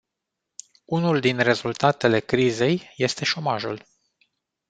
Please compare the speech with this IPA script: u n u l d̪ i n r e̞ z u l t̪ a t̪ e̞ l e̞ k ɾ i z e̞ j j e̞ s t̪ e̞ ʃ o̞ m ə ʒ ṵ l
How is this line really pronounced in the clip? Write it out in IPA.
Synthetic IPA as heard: u n u l d̪ i n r e̞ z u l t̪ a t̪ e̞ l e̞ k ɾ i z e̞ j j e̞ s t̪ e̞ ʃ o̞ m a ʒ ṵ l